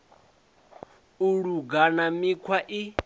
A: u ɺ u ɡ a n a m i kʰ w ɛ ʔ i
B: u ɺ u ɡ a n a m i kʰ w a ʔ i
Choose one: B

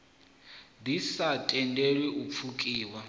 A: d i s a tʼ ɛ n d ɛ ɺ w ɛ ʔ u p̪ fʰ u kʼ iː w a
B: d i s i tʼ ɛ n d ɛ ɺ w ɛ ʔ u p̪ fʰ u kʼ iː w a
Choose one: A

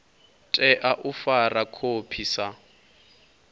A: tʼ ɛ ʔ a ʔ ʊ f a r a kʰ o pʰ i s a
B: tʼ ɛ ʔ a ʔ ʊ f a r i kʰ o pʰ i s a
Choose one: A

